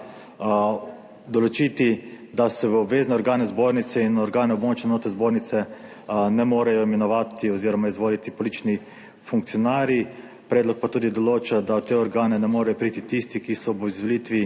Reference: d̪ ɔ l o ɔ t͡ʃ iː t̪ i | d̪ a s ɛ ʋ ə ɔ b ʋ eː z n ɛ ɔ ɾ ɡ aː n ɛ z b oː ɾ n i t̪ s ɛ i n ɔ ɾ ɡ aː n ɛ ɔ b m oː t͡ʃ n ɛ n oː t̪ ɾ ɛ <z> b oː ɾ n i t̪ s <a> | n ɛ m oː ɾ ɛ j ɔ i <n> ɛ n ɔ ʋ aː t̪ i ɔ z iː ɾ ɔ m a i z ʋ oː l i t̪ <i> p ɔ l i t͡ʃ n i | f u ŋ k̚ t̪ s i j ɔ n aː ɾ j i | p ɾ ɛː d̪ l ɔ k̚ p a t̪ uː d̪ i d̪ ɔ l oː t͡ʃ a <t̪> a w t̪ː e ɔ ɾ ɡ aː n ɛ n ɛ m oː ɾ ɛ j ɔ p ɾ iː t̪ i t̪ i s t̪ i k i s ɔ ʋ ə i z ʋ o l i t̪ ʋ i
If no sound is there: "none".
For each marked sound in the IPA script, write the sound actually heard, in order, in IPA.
z, ɛ, m, i, d̪

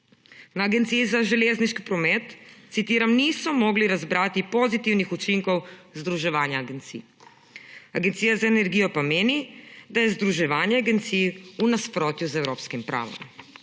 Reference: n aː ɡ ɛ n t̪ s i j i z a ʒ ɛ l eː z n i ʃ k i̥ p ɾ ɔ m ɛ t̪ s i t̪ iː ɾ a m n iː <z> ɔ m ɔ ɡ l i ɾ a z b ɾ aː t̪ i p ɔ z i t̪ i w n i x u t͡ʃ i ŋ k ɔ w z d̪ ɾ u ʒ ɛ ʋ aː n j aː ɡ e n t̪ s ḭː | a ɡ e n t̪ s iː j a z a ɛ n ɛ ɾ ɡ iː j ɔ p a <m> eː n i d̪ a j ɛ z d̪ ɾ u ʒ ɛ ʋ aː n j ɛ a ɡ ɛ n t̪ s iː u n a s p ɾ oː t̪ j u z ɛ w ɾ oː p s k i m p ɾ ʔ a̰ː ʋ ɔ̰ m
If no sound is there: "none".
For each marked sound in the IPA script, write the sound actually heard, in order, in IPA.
s, m

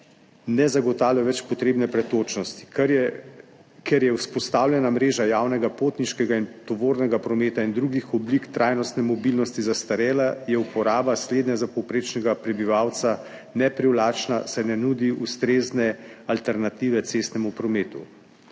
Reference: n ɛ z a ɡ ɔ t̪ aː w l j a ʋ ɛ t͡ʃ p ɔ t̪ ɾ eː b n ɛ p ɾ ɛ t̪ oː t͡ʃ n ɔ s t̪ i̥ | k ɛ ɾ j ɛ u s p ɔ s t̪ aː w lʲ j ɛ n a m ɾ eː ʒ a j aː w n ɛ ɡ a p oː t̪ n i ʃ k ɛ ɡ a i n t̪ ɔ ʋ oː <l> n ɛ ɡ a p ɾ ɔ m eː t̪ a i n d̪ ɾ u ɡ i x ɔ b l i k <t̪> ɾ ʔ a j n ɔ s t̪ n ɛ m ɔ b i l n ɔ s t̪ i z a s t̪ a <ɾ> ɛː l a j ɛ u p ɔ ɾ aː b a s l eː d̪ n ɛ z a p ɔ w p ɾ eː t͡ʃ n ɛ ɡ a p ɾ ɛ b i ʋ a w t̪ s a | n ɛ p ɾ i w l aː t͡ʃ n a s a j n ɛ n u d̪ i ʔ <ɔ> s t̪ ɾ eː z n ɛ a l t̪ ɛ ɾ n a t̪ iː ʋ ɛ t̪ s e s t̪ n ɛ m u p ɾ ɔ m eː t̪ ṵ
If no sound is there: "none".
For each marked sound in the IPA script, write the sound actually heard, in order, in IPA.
ɾ, t̪, ɾ, u

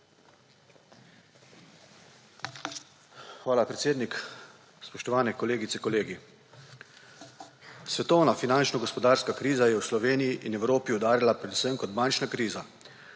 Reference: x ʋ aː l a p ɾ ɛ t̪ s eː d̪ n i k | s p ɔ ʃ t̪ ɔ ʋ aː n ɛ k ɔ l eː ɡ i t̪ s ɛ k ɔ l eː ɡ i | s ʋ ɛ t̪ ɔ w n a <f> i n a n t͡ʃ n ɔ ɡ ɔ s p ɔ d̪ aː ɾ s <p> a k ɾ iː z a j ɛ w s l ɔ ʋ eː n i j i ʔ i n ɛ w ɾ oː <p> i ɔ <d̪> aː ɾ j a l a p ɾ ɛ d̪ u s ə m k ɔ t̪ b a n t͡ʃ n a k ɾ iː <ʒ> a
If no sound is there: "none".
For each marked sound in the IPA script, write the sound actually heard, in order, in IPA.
f, k, p, d̪, z

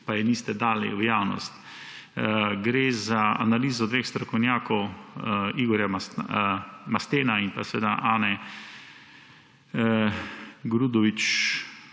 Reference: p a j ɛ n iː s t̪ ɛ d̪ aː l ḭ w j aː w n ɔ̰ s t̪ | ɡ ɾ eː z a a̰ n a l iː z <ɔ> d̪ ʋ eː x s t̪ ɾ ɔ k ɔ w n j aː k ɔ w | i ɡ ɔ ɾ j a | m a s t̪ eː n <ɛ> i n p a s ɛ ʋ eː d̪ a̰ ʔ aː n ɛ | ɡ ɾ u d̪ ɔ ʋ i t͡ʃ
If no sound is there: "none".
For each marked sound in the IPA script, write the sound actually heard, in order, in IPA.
ɔ, a

